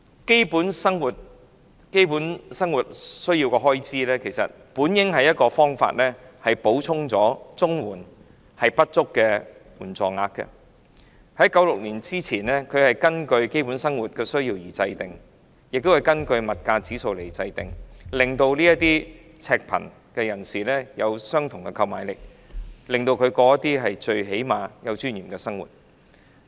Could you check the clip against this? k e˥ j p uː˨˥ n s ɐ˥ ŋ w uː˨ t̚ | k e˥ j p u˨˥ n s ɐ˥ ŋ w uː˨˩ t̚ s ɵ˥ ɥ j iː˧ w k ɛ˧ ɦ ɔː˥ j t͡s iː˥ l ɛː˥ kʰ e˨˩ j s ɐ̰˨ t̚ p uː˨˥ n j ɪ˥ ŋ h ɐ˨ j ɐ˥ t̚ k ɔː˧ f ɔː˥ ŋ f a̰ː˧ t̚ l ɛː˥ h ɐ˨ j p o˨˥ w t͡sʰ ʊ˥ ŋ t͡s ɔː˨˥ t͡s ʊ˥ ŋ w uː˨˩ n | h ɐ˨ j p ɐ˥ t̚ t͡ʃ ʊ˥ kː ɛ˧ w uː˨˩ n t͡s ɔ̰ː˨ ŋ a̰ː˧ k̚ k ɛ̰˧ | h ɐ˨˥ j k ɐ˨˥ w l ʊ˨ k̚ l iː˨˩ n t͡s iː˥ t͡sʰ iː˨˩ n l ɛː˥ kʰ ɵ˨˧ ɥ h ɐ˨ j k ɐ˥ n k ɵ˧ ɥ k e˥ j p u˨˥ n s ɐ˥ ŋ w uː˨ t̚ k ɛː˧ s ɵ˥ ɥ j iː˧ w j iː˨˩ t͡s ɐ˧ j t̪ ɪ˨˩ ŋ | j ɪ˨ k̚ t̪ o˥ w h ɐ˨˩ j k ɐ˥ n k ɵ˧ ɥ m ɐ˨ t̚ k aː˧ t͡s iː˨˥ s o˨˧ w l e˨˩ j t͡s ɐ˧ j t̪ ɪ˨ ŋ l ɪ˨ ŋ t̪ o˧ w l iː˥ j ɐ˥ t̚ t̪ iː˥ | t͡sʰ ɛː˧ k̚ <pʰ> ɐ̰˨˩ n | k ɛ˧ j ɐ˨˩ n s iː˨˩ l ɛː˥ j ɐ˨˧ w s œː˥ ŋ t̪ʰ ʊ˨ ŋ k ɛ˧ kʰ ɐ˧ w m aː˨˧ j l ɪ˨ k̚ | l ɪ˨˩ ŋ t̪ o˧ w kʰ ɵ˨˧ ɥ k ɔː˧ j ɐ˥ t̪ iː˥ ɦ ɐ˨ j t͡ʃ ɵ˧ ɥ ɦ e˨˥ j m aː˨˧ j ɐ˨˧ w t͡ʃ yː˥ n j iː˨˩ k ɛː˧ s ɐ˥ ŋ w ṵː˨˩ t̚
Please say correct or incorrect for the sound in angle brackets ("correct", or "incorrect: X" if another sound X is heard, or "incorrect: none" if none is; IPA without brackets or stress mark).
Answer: correct